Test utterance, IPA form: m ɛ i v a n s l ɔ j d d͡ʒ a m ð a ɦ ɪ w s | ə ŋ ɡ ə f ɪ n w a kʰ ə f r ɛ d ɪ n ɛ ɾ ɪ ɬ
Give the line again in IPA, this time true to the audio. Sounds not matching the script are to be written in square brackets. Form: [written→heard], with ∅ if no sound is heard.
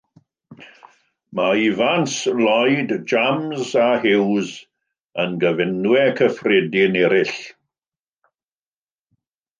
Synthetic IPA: m [ɛ→a] i v a n s l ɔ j d d͡ʒ a m [ð→z] a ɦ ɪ w [s→z] | ə [ŋ→n] ɡ ə [f→v] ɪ n w [a→ɛ] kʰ ə f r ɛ d ɪ n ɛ ɾ ɪ ɬ